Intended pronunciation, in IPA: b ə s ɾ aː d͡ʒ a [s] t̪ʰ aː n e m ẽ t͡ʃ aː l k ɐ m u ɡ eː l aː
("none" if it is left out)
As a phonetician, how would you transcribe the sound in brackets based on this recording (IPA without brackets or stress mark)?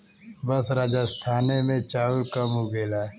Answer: s